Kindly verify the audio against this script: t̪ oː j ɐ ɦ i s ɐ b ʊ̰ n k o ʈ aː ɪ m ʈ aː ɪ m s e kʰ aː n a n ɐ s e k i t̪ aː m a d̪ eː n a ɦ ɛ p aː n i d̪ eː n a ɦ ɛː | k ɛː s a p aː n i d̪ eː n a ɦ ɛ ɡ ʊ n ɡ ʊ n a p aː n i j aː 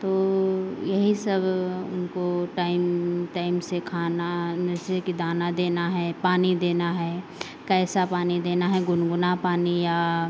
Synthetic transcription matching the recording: t̪ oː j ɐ ɦ i s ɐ b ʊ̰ n k o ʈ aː ɪ m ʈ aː ɪ m s e kʰ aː n a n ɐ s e k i d̪ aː n a d̪ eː n a ɦ ɛ p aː n i d̪ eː n a ɦ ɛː | k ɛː s a p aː n i d̪ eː n a ɦ ɛ ɡ ʊ n ɡ ʊ n a p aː n i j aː